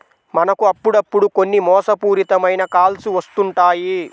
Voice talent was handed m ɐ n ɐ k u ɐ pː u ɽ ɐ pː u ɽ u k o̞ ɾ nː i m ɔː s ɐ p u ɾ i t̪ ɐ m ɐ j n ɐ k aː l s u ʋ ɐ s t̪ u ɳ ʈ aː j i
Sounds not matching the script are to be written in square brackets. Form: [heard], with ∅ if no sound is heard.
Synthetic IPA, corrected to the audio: m ɐ n ɐ k u ɐ pː u ɽ ɐ pː u ɽ u k o̞ [∅] nː i m ɔː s ɐ p [uː] ɾ i t̪ ɐ m ɐ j n ɐ k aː l s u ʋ ɐ s t̪ u ɳ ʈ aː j i

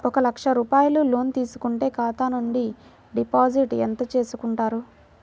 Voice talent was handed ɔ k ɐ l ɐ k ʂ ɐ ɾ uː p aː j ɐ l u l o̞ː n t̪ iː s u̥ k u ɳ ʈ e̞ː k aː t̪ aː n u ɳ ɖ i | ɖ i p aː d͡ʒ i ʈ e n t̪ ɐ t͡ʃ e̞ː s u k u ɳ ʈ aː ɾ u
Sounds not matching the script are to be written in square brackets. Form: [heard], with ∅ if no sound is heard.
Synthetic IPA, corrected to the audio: ɔ k ɐ l ɐ k ʂ ɐ ɾ uː p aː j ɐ l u l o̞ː n t̪ iː s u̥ k u ɳ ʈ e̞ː k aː t̪ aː n u ɳ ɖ i | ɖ i p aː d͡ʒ i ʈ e n t̪ ɐ t͡ʃ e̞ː s u k u ɳ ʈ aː ɾ u

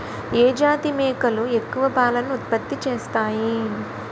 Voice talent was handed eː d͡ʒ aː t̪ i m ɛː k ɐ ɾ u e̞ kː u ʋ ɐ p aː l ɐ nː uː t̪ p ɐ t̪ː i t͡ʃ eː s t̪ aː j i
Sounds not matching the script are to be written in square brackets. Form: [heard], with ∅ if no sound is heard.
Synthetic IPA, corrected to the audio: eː d͡ʒ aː t̪ i m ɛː k ɐ [l] u e̞ kː u ʋ ɐ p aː l ɐ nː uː t̪ p ɐ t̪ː i t͡ʃ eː s t̪ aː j i

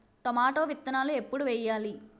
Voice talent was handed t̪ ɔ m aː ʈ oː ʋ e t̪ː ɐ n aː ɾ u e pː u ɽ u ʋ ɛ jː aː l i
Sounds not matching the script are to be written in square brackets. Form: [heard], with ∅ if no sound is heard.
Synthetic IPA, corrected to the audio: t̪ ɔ m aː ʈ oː ʋ [i] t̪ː ɐ n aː [l] u e pː u ɽ u ʋ ɛ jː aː l i

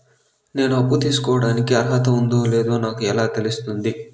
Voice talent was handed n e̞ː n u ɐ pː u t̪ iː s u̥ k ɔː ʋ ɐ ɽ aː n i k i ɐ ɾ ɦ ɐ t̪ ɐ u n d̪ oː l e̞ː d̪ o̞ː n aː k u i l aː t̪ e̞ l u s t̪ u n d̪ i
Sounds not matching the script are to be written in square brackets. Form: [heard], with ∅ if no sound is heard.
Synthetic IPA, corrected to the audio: n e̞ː n u ɐ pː u t̪ iː s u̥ k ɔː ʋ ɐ ɽ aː n i k i ɐ ɾ ɦ ɐ t̪ ɐ u n d̪ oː l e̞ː d̪ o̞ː n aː k u [ɛ] l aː t̪ e̞ l u s t̪ u n d̪ i

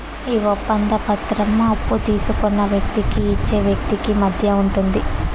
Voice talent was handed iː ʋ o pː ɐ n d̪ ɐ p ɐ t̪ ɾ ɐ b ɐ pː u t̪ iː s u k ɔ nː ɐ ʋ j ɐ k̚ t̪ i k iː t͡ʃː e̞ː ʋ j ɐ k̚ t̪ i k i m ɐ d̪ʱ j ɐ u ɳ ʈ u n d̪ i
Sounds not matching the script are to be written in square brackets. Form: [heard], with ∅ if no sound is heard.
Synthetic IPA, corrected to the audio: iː ʋ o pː ɐ n d̪ ɐ p ɐ t̪ ɾ ɐ [m] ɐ pː u t̪ iː s u k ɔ nː ɐ ʋ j ɐ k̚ t̪ i k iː t͡ʃː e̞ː ʋ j ɐ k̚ t̪ i k i m ɐ d̪ʱ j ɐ u ɳ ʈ u n d̪ i

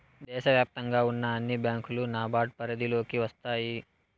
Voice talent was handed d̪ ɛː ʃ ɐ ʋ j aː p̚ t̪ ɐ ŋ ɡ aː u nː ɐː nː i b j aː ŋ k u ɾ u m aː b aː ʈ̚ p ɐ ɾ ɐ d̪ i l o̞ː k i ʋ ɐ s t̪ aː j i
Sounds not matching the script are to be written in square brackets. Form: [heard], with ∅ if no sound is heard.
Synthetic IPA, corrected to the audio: d̪ ɛː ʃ ɐ ʋ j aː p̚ t̪ ɐ ŋ ɡ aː u nː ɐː nː i b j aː ŋ k u [l] u [n] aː b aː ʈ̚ p ɐ ɾ ɐ d̪ i l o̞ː k i ʋ ɐ s t̪ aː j i

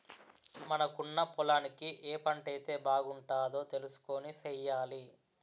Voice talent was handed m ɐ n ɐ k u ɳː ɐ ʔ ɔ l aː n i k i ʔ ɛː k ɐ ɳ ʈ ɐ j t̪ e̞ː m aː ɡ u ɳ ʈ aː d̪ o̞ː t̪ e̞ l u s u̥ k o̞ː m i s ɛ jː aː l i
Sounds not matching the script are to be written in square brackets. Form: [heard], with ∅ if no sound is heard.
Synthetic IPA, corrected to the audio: m ɐ n ɐ k u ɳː ɐ [p] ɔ l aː n i k i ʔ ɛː [p] ɐ ɳ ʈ ɐ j t̪ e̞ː [b] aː ɡ u ɳ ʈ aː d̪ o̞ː t̪ e̞ l u s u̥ k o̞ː [n] i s ɛ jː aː l i

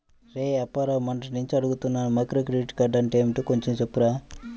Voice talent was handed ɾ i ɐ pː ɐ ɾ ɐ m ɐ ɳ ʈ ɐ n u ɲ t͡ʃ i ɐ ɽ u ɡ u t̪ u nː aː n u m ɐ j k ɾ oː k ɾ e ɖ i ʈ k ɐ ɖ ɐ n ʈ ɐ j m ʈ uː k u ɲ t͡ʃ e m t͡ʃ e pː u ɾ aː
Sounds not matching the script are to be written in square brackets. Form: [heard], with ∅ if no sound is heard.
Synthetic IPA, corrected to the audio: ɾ [e] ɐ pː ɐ ɾ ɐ m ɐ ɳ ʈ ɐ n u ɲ t͡ʃ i ɐ ɽ u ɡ u t̪ u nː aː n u m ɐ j k ɾ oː k ɾ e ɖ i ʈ k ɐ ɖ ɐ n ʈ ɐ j m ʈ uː k [o] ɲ t͡ʃ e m t͡ʃ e pː u ɾ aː

